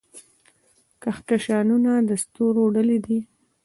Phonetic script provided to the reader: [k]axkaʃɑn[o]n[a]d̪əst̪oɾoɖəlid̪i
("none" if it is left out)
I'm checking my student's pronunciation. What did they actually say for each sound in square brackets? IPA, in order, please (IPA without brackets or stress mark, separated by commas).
k, u, a